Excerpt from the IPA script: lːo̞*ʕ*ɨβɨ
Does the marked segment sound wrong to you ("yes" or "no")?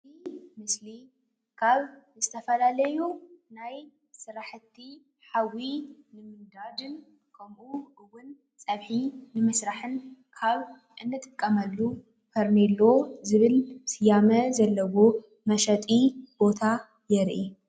yes